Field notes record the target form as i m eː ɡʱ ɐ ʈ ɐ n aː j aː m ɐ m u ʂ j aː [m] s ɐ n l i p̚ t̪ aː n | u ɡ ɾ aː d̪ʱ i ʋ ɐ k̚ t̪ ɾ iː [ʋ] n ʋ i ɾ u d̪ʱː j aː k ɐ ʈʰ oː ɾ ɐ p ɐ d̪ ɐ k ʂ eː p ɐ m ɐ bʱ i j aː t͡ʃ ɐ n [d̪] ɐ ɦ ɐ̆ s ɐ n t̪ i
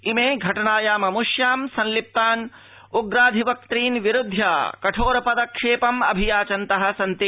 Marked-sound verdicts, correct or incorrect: correct, incorrect, incorrect

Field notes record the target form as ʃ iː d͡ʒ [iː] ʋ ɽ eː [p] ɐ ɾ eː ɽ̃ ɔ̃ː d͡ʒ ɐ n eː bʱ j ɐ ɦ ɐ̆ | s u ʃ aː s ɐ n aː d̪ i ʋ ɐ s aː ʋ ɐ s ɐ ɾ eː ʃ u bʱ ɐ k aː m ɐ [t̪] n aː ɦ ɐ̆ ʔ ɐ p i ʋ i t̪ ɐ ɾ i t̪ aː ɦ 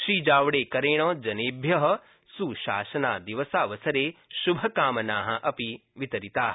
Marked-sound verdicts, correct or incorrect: incorrect, incorrect, incorrect

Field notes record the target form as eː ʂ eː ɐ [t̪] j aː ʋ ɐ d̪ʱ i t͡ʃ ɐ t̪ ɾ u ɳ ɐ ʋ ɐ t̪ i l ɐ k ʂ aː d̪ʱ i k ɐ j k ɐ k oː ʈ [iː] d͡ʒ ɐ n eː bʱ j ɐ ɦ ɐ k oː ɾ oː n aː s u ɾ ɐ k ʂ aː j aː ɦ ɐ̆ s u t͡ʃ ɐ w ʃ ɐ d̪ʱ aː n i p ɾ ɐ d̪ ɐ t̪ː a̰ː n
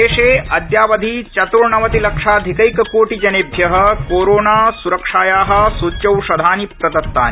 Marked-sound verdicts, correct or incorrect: incorrect, incorrect

